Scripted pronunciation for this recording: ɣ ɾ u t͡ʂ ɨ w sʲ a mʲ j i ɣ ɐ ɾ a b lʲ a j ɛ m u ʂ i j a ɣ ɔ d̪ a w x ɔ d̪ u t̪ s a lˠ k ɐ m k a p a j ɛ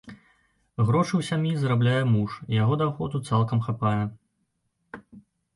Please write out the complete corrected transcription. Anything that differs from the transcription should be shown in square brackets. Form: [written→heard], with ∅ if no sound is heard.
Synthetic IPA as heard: ɣ ɾ [u→ɔ] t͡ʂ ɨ w sʲ a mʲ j i [ɣ→z] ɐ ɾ a b lʲ a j ɛ m u ʂ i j a ɣ ɔ d̪ a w x ɔ d̪ u t̪ s a lˠ k ɐ m [k→x] a p a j ɛ